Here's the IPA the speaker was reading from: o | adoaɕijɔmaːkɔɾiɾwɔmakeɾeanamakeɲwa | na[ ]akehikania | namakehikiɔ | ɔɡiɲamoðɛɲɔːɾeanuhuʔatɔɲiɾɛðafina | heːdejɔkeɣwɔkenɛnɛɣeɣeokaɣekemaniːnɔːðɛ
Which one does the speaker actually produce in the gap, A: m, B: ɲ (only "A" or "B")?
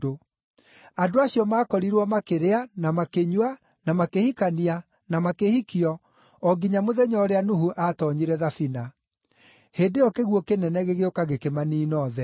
A